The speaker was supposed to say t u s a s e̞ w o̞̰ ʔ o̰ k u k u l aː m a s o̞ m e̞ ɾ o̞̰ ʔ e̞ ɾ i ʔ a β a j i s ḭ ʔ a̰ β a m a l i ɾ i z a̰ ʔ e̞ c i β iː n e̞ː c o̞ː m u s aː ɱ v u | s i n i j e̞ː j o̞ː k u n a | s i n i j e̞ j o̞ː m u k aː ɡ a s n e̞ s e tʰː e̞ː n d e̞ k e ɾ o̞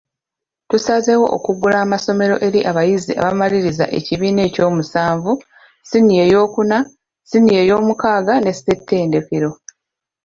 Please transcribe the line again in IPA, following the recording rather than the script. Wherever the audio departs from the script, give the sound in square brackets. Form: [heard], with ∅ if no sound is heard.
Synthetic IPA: t u s a [z] e̞ w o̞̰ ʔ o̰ k u [ɡ] u l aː m a s o̞ m e̞ ɾ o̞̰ ʔ e̞ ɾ i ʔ a β a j i [z] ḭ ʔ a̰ β a m a l i ɾ i z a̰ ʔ e̞ c i β iː n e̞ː c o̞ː m u s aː ɱ v u | s i n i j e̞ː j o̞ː k u n a | s i n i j e̞ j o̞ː m u k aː ɡ a [∅] n e̞ s e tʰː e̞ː n d e̞ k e ɾ o̞